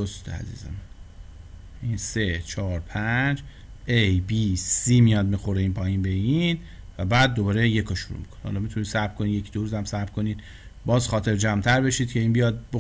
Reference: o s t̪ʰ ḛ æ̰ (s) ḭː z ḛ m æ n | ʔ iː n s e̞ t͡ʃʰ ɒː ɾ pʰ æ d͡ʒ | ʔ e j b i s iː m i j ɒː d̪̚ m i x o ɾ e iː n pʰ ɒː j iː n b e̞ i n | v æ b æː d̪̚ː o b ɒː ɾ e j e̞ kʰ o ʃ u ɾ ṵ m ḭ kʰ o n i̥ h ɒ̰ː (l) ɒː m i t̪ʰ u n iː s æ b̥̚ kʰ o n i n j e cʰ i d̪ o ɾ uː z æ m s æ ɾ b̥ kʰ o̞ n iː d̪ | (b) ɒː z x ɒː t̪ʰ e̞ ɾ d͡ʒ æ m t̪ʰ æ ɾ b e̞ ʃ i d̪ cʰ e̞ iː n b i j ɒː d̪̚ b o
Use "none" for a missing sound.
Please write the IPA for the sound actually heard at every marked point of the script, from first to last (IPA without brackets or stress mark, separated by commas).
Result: z, l, b